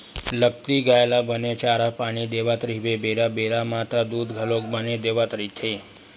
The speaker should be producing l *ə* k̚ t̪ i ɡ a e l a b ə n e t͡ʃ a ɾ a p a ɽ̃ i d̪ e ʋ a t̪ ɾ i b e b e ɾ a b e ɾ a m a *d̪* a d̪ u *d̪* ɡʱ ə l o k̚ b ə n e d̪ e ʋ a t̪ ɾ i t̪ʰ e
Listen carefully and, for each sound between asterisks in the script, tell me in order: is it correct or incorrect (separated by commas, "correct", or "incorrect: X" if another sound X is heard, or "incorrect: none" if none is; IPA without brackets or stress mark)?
correct, incorrect: t̪, correct